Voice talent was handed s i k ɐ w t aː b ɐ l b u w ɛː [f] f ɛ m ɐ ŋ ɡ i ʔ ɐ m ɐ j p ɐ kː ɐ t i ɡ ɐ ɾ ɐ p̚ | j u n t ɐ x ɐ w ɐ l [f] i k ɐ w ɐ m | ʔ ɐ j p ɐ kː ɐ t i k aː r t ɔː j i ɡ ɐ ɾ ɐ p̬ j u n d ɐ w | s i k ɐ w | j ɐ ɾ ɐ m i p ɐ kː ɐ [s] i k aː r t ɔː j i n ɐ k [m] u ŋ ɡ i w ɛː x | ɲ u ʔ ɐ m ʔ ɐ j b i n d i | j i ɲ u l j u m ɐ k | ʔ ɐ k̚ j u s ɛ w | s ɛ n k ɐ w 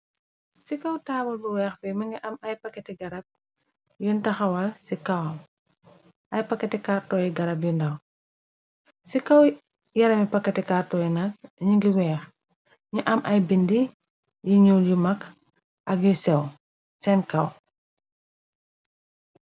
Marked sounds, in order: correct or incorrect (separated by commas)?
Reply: incorrect, incorrect, incorrect, incorrect